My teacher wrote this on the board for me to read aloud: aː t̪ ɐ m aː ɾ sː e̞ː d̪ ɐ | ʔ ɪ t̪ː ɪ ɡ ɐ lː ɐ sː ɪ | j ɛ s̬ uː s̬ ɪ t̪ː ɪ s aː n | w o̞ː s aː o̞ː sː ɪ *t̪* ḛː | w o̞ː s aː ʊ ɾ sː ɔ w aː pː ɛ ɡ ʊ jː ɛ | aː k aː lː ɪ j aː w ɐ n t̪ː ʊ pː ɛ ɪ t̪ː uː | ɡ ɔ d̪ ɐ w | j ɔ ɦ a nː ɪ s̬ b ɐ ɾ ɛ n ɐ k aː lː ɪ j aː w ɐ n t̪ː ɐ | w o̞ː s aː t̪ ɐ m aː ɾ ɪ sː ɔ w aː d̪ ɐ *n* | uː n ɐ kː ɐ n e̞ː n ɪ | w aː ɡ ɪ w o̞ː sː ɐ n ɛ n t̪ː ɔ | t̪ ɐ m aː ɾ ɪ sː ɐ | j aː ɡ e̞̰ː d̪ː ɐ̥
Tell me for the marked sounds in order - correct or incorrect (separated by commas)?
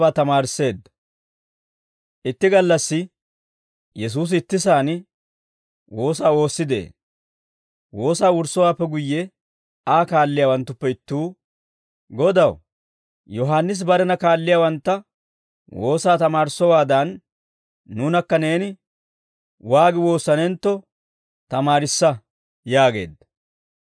incorrect, incorrect